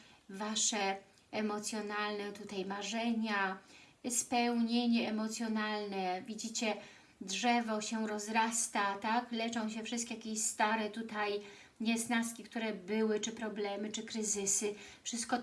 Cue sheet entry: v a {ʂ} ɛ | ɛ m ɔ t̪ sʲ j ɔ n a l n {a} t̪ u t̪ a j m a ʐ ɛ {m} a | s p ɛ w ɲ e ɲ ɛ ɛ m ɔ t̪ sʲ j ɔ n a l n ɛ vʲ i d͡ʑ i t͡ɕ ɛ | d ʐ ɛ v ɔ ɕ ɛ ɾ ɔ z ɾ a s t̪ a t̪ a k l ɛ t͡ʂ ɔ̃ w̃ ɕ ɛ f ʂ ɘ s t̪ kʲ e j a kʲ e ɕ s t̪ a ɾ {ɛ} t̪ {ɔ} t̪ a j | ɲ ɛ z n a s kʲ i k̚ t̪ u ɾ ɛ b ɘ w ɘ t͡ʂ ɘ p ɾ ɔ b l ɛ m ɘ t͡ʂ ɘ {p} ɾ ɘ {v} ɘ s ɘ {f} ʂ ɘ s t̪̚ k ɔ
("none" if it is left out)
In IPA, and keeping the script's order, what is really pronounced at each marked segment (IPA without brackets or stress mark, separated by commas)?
ʂ, ɛ, ɲ, ɛ, u, k, z, f